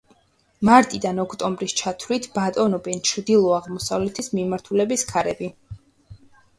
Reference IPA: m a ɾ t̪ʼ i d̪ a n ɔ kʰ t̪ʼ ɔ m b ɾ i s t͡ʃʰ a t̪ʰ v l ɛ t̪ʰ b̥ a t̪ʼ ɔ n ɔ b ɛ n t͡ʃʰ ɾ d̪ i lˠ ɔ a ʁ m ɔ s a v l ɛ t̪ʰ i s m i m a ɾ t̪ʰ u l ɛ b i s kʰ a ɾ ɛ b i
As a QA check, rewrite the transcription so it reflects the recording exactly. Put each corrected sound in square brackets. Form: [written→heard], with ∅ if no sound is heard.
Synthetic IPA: m a ɾ t̪ʼ i d̪ a n ɔ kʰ t̪ʼ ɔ m b ɾ i s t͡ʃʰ a t̪ʰ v l [ɛ→i] t̪ʰ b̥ a t̪ʼ ɔ n ɔ b ɛ n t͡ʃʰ ɾ d̪ i lˠ ɔ a ʁ m ɔ s a v l ɛ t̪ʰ i s m i m a ɾ t̪ʰ u l ɛ b i s kʰ a ɾ ɛ b i